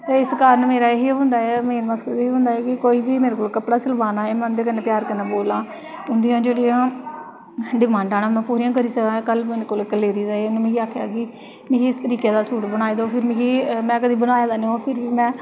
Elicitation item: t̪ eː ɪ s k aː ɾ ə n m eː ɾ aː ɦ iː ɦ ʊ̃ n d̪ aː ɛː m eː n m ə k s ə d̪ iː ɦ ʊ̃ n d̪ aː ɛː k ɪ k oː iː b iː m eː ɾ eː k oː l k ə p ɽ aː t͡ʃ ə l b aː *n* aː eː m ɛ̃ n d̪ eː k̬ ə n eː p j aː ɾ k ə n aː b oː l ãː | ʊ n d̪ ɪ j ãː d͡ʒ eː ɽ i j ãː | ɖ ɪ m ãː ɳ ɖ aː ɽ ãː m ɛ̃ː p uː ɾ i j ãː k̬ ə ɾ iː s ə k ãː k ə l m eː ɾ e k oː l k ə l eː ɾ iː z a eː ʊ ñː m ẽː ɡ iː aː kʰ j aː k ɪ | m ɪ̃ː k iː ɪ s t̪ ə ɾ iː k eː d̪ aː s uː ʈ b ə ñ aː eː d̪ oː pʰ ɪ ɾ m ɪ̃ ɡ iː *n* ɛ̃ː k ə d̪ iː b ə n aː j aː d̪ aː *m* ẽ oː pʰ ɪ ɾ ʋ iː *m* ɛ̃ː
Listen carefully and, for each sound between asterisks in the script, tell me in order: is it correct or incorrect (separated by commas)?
correct, incorrect, incorrect, correct